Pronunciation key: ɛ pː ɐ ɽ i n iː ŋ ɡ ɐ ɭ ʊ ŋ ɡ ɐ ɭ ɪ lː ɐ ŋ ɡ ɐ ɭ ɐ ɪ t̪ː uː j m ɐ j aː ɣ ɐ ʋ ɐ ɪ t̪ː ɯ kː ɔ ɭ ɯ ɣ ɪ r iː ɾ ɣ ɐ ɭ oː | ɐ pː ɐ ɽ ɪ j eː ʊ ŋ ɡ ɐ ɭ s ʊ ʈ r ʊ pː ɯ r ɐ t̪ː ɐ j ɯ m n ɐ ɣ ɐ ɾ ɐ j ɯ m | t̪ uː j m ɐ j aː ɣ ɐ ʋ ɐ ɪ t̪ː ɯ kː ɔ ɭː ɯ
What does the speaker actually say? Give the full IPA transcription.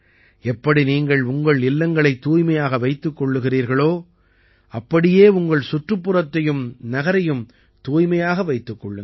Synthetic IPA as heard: ɛ pː ɐ ɽ i n iː ŋ ɡ ɐ ɭ ʊ ŋ ɡ ɐ ɭ ɪ lː ɐ ŋ ɡ ɐ ɭ ɐ ɪ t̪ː uː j m ɐ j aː ɣ ɐ ʋ ɐ ɪ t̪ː ɯ kː ɔ ɭː ɯ ɣ ɪ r iː ɾ ɣ ɐ ɭ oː | ɐ pː ɐ ɽ ɪ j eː ʊ ŋ ɡ ɐ ɭ s ʊ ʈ r ɯ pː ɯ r ɐ t̪ː ɐ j ɯ m n ɐ ɣ ɐ ɾ ɐ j ɯ m | t̪ uː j m ɐ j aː ɣ ɐ ʋ ɐ ɪ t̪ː ɯ kː ɔ ɭː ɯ